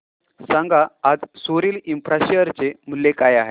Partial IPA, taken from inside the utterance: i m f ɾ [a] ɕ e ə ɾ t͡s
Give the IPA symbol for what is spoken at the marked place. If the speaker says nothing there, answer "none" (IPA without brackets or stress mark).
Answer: a